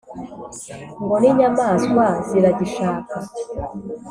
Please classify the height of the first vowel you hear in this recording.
mid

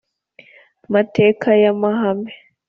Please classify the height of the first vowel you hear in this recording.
low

